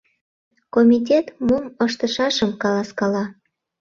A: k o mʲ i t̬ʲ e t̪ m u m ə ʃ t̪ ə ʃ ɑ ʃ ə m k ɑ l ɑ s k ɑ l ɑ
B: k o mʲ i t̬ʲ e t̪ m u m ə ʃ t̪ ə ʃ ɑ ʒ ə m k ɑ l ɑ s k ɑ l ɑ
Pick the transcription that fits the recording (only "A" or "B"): A